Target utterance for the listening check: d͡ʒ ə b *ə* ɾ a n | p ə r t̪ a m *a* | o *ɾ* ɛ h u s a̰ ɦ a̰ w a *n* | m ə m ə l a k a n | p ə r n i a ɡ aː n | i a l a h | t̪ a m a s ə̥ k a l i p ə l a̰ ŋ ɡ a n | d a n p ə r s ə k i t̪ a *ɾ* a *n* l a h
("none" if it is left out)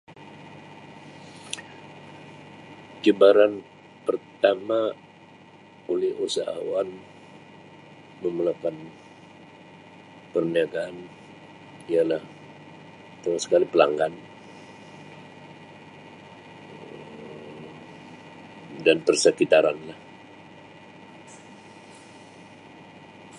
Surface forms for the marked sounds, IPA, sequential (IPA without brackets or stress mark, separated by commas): a, a, l, n, ɾ, n